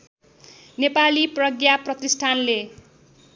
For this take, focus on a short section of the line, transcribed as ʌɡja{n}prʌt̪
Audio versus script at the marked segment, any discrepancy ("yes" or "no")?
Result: yes